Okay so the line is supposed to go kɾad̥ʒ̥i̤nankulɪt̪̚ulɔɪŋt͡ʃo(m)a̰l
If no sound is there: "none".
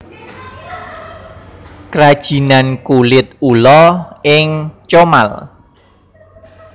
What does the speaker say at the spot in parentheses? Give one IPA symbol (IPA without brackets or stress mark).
m